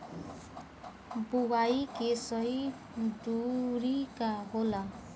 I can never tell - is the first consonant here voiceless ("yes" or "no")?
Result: no